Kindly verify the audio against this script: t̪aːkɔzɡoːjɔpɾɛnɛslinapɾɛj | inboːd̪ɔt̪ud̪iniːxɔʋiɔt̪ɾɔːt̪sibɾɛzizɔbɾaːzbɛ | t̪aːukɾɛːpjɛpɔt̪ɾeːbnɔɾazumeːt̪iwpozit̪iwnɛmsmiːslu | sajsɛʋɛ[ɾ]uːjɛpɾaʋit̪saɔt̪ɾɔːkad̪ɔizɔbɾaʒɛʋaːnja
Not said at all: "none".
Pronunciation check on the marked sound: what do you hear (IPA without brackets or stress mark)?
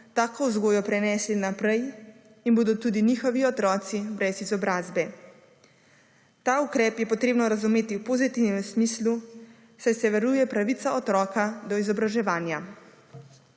ɾ